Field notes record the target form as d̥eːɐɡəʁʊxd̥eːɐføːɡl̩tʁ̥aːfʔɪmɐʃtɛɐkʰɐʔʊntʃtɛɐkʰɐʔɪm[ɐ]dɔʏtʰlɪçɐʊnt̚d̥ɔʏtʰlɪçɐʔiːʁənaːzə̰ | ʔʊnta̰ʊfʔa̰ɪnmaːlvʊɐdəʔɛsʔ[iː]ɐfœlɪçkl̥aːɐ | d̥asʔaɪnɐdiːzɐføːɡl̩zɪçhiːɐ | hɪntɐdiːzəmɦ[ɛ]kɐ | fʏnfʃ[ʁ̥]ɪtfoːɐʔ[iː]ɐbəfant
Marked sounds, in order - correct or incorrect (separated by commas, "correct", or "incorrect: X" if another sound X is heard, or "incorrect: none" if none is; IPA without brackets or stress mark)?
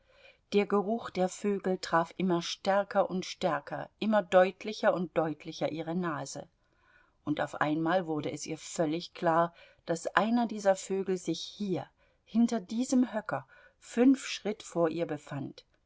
correct, correct, incorrect: œ, correct, correct